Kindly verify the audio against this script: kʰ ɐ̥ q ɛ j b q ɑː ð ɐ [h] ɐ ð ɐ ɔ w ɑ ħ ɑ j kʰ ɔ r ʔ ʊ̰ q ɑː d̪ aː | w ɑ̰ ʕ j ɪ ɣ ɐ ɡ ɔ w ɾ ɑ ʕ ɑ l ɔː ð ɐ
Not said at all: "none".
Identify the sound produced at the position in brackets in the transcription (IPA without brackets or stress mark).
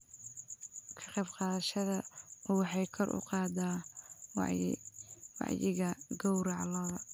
ʃ